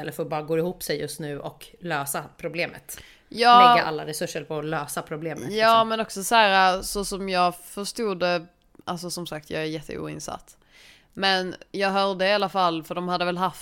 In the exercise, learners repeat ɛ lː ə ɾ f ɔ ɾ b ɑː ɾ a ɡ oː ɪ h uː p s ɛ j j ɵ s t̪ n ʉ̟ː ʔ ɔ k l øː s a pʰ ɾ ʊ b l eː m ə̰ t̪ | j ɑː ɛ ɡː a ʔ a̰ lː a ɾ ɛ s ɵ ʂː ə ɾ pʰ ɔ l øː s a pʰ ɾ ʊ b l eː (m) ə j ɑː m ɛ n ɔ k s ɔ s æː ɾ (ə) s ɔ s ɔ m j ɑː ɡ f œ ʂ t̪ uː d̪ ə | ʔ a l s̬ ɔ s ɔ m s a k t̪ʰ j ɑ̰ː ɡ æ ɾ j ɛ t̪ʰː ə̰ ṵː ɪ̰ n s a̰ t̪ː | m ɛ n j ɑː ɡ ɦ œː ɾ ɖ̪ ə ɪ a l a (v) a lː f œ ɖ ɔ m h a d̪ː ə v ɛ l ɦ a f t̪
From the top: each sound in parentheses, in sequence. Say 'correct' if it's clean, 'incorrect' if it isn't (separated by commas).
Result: correct, incorrect, incorrect